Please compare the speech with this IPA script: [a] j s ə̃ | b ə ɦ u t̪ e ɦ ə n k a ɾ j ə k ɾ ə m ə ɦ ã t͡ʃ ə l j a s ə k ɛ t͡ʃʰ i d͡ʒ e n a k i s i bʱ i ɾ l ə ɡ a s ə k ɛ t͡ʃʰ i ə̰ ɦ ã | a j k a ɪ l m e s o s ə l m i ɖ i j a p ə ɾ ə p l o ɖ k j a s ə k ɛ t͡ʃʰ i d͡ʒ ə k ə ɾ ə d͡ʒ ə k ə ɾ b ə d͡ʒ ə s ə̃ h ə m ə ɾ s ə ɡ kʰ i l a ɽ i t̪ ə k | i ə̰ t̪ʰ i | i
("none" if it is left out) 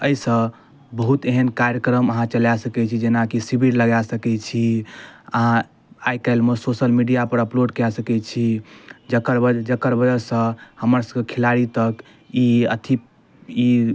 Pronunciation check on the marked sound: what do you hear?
ə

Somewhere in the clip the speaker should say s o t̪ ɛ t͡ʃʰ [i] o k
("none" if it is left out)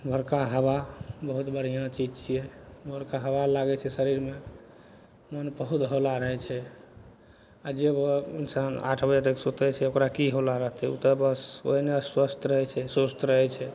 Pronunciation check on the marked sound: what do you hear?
ɛ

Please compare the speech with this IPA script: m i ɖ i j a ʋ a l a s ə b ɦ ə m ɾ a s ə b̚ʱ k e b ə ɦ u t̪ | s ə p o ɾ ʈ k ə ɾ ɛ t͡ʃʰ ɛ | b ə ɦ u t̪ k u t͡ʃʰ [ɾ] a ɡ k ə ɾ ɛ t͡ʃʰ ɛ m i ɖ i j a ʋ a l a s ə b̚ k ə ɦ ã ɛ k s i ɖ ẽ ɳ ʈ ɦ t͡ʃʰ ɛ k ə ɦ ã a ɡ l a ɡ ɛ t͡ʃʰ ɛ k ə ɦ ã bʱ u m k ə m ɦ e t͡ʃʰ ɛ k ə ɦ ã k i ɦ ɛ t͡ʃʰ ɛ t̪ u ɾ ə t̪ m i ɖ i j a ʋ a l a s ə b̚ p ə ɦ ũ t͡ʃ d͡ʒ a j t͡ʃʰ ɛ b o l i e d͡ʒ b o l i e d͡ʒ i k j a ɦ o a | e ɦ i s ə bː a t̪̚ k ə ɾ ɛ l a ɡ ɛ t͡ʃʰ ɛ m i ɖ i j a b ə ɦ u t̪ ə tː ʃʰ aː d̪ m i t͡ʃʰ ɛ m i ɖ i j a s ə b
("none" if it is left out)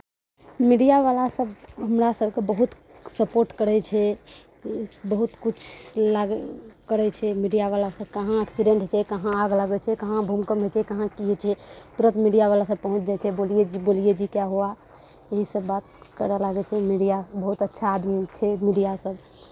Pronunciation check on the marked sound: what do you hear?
l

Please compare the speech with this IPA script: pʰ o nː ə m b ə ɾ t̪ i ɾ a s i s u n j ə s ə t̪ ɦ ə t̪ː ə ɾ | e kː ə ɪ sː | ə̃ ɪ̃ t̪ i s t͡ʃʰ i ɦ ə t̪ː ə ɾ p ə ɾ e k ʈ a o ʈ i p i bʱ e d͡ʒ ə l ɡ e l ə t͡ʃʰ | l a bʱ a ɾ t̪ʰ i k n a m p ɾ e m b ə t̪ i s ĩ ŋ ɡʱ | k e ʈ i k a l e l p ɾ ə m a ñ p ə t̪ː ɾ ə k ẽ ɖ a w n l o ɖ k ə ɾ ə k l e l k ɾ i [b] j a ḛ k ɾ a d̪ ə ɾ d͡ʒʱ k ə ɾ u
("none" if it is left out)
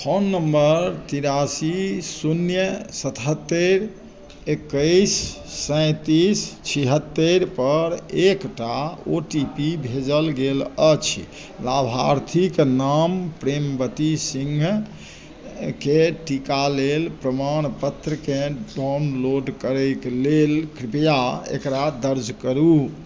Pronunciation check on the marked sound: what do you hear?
p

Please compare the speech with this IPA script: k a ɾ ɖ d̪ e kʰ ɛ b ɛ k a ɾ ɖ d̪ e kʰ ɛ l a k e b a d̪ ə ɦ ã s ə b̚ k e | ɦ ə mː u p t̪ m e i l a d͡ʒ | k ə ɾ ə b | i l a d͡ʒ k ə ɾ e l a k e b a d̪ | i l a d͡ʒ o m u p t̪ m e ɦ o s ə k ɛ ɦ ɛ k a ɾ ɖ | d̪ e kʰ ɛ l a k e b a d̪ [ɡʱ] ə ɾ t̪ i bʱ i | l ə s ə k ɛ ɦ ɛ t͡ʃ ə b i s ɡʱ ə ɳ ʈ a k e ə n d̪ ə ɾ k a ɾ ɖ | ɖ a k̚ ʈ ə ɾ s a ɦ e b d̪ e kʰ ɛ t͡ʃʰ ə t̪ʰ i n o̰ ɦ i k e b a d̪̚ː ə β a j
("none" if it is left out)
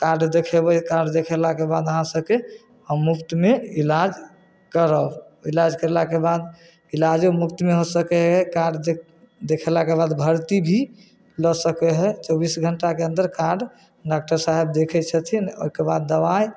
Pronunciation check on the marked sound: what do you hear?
bʱ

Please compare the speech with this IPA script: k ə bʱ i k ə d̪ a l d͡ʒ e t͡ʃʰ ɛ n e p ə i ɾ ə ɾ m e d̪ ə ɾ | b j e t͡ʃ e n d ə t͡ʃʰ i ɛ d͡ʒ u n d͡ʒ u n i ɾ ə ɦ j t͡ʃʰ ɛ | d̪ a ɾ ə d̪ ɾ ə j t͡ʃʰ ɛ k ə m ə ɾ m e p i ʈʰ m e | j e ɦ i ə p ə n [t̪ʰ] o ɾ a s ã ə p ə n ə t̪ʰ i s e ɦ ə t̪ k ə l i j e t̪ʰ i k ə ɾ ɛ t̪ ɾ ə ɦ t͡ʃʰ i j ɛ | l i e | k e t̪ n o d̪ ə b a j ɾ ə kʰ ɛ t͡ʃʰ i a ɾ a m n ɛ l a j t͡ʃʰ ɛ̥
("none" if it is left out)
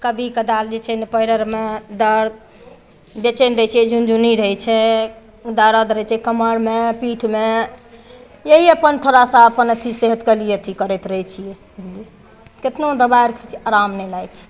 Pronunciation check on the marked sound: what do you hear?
t̪ʰ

